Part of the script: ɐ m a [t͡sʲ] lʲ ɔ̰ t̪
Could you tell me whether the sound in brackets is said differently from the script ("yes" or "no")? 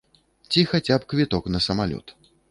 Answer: yes